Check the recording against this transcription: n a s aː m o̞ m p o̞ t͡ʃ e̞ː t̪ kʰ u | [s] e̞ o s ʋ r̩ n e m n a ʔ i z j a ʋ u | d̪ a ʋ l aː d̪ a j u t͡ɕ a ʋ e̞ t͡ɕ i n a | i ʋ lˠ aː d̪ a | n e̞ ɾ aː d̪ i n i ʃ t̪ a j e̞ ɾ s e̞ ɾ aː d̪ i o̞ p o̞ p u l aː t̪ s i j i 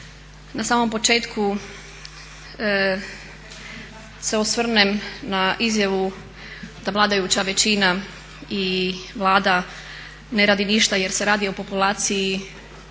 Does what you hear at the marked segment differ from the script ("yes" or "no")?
no